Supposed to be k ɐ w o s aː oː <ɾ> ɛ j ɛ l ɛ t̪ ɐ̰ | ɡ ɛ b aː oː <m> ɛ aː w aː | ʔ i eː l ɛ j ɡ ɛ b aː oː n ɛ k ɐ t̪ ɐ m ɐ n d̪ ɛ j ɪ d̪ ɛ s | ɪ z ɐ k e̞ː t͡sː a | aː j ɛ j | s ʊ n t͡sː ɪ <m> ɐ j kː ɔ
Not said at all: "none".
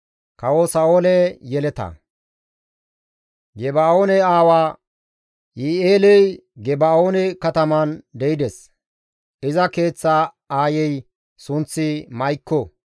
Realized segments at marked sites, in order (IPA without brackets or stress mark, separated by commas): l, n, m